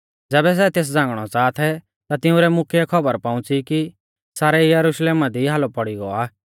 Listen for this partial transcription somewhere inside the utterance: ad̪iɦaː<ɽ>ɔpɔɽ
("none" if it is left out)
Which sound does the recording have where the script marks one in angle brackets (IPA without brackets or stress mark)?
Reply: l